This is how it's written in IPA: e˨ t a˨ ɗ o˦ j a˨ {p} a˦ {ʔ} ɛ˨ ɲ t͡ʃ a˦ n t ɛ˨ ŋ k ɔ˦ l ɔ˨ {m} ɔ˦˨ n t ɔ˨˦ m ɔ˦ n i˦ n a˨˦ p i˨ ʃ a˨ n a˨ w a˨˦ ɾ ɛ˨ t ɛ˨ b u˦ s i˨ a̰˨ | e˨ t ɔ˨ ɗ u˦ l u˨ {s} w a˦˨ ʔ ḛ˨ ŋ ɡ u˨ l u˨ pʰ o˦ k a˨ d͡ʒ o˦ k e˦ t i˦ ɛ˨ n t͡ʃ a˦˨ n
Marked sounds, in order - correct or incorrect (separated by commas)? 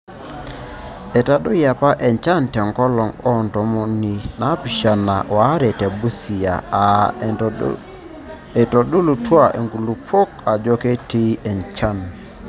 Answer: correct, correct, incorrect, incorrect